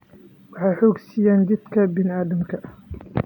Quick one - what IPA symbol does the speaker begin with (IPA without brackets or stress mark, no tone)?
w